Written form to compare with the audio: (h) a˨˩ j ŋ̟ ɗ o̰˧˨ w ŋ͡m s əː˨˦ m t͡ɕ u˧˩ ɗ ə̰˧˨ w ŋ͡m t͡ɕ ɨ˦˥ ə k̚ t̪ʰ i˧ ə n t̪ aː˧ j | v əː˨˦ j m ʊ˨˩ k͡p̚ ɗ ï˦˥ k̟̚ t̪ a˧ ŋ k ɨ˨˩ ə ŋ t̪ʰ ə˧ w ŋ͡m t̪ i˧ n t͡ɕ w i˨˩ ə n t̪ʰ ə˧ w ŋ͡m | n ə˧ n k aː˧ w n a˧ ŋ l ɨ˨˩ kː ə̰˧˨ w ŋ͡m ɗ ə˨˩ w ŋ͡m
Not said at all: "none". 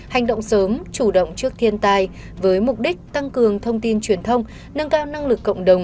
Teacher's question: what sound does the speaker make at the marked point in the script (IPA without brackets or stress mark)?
h